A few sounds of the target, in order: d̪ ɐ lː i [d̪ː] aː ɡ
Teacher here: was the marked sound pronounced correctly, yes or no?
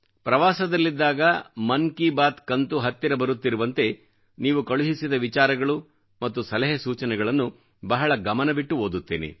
yes